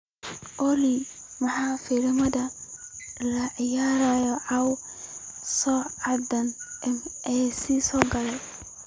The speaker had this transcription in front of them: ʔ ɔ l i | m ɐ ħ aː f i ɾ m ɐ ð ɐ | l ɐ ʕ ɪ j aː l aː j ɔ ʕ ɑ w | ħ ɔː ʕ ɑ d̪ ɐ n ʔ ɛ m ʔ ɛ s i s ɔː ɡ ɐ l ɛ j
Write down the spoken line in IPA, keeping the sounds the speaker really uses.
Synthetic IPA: ʔ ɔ l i | m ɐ ħ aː f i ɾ m ɐ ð ɐ | l ɐ ʕ ɪ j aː ɾ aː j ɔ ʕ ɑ w | s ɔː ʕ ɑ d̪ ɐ n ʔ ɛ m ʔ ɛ s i s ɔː ɡ ɐ l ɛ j